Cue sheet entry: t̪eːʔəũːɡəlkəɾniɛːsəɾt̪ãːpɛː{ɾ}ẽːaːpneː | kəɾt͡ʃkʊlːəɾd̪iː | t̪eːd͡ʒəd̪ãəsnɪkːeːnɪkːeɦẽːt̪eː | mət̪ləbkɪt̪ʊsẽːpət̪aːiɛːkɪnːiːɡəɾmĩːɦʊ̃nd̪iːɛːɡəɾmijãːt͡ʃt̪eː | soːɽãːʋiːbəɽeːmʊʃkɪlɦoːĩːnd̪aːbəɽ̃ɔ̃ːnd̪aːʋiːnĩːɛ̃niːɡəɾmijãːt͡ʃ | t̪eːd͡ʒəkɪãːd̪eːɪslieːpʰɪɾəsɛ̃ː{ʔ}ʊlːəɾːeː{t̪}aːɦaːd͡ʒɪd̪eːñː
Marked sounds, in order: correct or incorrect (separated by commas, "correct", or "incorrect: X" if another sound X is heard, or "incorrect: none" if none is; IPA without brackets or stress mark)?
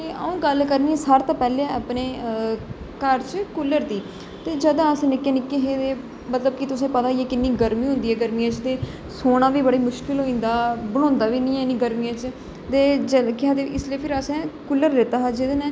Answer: incorrect: l, incorrect: k, correct